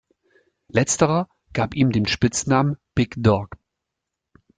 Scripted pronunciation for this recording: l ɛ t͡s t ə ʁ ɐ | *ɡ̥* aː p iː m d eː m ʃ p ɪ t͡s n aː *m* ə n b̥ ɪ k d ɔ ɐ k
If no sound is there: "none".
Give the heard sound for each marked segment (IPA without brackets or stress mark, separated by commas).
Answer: ɡ̥, m